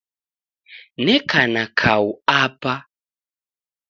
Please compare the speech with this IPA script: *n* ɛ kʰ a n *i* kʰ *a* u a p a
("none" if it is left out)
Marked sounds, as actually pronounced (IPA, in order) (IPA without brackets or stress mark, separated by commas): n, a, a